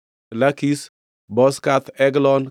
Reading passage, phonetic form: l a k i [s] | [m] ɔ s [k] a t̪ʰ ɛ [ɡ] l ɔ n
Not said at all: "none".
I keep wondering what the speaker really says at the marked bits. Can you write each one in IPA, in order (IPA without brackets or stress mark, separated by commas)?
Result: s, b, k, ɡ